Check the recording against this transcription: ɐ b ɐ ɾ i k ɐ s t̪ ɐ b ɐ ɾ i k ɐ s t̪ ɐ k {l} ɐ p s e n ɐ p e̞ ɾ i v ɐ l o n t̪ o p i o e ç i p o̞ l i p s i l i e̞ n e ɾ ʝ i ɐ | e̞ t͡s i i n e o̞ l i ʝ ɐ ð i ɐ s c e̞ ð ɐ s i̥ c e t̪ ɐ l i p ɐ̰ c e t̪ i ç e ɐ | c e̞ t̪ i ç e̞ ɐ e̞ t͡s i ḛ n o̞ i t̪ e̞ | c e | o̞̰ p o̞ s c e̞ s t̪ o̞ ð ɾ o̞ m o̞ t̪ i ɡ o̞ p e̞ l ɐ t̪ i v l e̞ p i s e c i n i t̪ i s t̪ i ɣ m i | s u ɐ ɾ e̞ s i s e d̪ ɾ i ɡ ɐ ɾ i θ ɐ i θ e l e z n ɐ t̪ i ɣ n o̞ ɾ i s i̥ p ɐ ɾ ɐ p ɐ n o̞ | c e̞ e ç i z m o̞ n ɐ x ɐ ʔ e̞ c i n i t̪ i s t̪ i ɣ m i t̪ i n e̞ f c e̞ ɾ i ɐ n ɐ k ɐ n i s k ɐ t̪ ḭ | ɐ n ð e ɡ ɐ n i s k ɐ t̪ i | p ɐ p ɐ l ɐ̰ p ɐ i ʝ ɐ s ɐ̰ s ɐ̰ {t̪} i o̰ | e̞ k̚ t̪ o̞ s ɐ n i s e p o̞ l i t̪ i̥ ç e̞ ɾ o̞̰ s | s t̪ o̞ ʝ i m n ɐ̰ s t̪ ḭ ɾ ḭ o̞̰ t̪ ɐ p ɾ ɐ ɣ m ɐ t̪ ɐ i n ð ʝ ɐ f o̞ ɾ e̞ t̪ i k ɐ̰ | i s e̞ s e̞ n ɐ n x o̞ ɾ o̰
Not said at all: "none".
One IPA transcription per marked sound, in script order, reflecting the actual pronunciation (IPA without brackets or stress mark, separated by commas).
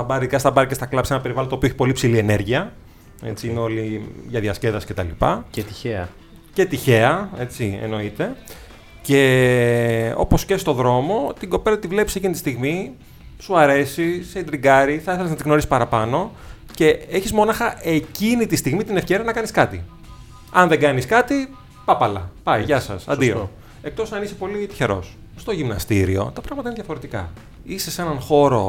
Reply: l, d̪